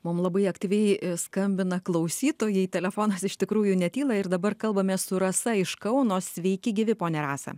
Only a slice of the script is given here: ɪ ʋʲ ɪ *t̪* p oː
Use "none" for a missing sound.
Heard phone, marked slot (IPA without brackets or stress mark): none